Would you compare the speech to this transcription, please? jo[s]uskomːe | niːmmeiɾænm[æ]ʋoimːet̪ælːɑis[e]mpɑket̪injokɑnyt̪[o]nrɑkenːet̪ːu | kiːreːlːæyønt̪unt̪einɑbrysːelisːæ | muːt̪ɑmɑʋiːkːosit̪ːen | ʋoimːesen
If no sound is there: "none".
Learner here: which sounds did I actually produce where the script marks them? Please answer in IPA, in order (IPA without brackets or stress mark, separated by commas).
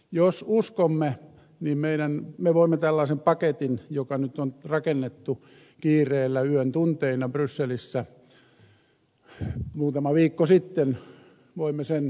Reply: s, e, e, o